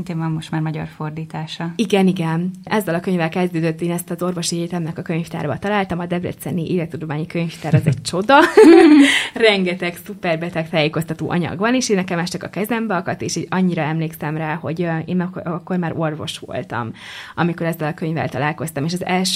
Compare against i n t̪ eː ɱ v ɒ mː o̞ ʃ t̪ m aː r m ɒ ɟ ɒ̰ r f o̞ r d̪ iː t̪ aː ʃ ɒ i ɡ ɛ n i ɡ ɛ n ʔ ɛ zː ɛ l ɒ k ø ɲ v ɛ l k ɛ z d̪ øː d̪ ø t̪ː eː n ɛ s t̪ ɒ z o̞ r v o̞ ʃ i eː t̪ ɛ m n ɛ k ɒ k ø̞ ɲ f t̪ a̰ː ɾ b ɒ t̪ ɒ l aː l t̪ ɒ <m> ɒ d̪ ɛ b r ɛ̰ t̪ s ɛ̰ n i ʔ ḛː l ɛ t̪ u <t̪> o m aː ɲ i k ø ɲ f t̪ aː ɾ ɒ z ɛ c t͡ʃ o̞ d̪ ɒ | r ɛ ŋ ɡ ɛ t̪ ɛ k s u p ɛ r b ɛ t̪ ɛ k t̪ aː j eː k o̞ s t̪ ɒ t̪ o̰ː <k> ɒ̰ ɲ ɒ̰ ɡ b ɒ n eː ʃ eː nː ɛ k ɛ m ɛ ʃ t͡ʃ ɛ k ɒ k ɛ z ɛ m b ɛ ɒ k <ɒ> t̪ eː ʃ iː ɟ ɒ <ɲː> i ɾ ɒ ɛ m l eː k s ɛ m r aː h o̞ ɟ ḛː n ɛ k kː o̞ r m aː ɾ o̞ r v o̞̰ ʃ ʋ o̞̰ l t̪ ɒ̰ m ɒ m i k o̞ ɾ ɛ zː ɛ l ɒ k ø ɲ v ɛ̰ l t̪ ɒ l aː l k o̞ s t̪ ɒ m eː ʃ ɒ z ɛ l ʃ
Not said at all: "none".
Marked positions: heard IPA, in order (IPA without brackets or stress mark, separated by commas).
m, d̪, ʔ, ɒ, ɲː